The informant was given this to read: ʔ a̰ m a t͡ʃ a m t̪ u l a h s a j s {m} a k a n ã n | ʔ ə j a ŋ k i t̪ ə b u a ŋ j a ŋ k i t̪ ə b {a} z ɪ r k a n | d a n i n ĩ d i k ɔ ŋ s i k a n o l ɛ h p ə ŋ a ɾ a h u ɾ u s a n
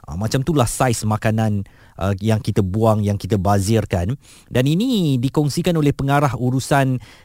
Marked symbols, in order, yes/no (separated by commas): yes, yes